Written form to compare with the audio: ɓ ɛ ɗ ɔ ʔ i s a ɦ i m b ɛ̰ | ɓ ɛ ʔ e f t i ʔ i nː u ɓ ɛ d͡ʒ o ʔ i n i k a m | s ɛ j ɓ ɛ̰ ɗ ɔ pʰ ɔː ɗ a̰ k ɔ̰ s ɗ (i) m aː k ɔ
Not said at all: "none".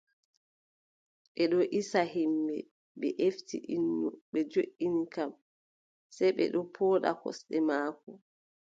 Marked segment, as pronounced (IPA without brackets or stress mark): ɛ